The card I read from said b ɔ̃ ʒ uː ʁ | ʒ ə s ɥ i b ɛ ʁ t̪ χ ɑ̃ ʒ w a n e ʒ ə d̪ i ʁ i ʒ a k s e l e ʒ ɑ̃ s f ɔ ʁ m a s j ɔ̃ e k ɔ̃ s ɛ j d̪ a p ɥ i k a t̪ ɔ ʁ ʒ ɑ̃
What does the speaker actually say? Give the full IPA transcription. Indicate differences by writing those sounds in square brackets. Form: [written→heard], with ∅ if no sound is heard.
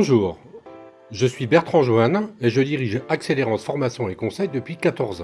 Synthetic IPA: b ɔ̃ ʒ uː ʁ | ʒ ə s ɥ i b ɛ ʁ t̪ χ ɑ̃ ʒ w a n e ʒ ə d̪ i ʁ i ʒ a k s e l e [ʒ→ʁ] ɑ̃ s f ɔ ʁ m a s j ɔ̃ e k ɔ̃ s ɛ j d̪ [a→ə] p ɥ i k a t̪ ɔ ʁ [ʒ→z] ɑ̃